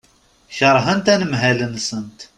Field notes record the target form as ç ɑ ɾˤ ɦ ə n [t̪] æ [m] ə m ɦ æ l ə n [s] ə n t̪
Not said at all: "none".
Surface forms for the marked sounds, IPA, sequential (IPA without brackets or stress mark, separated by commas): t̪, n, s